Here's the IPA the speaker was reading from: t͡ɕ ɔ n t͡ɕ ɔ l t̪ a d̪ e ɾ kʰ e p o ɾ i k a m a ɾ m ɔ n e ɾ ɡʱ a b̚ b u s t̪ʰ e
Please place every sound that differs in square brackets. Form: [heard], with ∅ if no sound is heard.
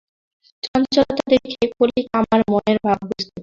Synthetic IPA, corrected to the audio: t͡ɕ ɔ n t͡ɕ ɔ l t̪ a d̪ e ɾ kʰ e [k] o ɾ i k a m a ɾ m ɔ n e ɾ [bʱ] a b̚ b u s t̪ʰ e